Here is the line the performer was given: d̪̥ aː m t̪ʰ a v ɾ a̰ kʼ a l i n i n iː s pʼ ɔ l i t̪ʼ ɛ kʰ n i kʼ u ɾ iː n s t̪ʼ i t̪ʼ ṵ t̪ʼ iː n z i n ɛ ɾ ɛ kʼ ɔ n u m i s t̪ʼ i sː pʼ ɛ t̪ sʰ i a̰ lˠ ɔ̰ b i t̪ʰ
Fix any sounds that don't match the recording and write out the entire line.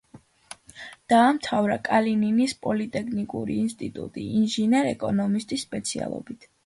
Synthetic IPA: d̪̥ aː m t̪ʰ a v ɾ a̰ kʼ a l i n i n i s pʼ ɔ l i t̪ʼ ɛ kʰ n i kʼ u ɾ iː n s t̪ʼ i t̪ʼ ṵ t̪ʼ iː n ʒ i n ɛ ɾ ɛ kʼ ɔ n ɔ m i s t̪ʼ i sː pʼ ɛ t̪ sʰ i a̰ lˠ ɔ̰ b i t̪ʰ